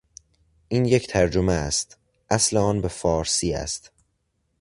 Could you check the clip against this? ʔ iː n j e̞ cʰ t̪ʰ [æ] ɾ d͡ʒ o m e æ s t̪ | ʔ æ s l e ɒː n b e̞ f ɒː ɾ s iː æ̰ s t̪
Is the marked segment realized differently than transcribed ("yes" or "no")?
no